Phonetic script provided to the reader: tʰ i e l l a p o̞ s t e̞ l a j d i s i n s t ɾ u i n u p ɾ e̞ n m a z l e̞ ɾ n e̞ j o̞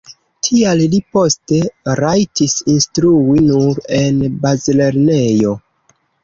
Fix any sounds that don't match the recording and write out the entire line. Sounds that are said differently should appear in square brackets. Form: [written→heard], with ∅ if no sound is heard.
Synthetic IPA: tʰ i [e→a] l l [a→i] p o̞ s t e̞ [l→ɾ] a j [d→t] i s i n s t ɾ u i n u [p→∅] ɾ e̞ n [m→b] a z l e̞ ɾ n e̞ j o̞